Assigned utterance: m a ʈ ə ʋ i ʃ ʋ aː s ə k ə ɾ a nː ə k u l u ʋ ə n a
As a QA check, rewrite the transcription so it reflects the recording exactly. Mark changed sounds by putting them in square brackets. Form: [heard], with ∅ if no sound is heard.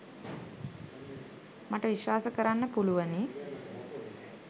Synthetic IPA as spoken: m a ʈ ə ʋ i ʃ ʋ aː s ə k ə ɾ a nː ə [p] u l u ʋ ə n [i]